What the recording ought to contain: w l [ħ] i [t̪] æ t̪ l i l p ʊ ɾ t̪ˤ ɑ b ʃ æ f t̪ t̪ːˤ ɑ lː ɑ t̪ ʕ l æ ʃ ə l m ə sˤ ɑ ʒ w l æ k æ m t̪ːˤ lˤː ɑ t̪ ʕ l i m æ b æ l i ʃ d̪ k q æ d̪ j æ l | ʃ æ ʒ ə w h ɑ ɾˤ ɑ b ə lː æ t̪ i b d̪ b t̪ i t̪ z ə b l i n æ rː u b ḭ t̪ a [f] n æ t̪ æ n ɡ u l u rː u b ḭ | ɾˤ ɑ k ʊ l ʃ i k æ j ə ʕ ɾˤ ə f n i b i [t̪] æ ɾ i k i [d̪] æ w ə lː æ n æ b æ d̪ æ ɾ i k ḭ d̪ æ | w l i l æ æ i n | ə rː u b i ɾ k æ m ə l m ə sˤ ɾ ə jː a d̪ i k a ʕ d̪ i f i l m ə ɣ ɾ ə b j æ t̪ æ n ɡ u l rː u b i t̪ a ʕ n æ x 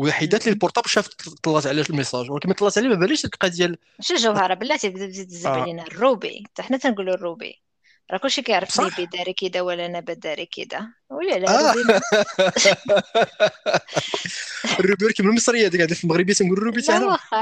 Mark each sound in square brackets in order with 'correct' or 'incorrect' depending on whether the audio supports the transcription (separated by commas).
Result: correct, incorrect, incorrect, incorrect, correct